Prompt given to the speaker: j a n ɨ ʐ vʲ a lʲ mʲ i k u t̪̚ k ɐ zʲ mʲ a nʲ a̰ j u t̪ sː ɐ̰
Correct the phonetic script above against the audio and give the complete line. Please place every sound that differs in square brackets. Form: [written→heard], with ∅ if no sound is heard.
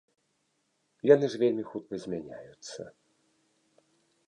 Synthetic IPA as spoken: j a n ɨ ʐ vʲ [a→e] lʲ mʲ i [k→x] u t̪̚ k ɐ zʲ mʲ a nʲ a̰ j u t̪ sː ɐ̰

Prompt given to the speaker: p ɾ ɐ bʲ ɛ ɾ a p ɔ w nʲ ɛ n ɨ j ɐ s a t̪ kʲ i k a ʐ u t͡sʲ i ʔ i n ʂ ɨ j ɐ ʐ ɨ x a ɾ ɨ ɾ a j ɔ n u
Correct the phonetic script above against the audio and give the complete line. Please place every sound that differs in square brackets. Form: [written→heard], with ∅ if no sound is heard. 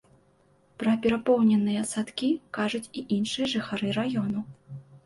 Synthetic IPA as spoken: p ɾ ɐ [bʲ→pʲ] ɛ ɾ a p ɔ w nʲ ɛ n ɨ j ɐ s a t̪ kʲ i k a ʐ u t͡sʲ i ʔ i n ʂ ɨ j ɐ ʐ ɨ x a ɾ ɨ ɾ a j ɔ n u

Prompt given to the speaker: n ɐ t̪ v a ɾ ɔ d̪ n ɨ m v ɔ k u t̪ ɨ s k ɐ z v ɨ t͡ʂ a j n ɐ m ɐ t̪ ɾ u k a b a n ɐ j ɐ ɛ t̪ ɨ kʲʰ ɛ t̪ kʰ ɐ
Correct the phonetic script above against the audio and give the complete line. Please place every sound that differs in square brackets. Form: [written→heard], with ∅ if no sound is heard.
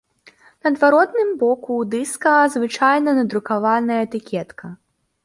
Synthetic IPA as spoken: n ɐ [t̪→d̪] v a ɾ ɔ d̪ n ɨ m [v→b] ɔ k u [t̪→d̪] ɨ s k ɐ z v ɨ t͡ʂ a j n ɐ [m→n] ɐ [t̪→d̪] ɾ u k a [b→v] a n ɐ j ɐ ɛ t̪ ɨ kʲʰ ɛ t̪ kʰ ɐ

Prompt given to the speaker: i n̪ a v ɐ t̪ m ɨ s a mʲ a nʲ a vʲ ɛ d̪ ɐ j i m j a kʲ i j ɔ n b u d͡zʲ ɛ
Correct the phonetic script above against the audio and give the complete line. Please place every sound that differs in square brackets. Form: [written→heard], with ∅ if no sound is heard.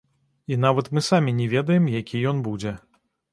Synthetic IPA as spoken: i n̪ a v ɐ t̪ m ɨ s a mʲ [a→i] nʲ [a→ɛ] vʲ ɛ d̪ ɐ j [i→ɛ] m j a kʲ i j ɔ n b u d͡zʲ ɛ

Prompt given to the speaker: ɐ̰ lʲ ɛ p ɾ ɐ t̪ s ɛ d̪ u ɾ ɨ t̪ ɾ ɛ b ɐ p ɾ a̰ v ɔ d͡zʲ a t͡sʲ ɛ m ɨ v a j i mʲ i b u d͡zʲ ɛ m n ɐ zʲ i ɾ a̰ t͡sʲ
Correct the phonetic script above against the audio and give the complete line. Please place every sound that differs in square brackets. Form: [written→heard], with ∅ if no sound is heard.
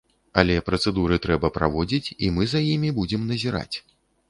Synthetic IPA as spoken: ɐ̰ lʲ ɛ p ɾ ɐ t̪ s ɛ d̪ u ɾ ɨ t̪ ɾ ɛ b ɐ p ɾ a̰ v ɔ d͡zʲ [a→i] t͡sʲ [ɛ→i] m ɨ [v→z] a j i mʲ i b u d͡zʲ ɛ m n ɐ zʲ i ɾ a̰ t͡sʲ

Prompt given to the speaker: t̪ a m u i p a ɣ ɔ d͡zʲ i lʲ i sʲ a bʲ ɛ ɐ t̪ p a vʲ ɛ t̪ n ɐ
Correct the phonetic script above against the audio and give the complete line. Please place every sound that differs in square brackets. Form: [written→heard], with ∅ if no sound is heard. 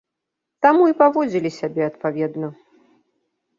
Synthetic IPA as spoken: t̪ a m u i p a [ɣ→v] ɔ d͡zʲ i lʲ i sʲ a bʲ ɛ ɐ t̪ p a vʲ ɛ [t̪→d̪] n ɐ

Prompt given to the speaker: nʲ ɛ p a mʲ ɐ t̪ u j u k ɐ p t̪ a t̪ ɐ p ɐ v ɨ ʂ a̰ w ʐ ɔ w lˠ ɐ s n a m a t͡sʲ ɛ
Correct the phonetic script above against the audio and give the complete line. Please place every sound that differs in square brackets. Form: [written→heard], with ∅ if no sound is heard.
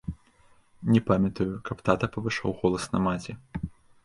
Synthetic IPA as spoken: nʲ ɛ p a mʲ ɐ t̪ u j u k ɐ p t̪ a t̪ ɐ p ɐ v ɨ ʂ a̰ w [ʐ→ɣ] ɔ [w→∅] lˠ ɐ s n [a→ɐ] m a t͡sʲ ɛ

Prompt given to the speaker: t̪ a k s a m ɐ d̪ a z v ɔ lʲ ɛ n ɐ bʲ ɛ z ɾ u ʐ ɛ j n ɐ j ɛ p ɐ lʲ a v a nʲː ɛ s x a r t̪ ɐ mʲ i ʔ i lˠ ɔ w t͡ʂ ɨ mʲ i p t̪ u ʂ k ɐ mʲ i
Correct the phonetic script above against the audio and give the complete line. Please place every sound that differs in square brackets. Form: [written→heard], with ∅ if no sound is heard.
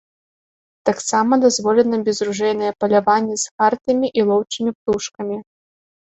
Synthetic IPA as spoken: t̪ a k s a m ɐ d̪ a z v ɔ lʲ ɛ n ɐ bʲ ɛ z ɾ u ʐ ɛ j n ɐ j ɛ p ɐ lʲ a v a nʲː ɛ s x a r t̪ ɐ mʲ i ʔ i lˠ ɔ w t͡ʂ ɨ mʲ i p t̪ u ʂ k ɐ mʲ i

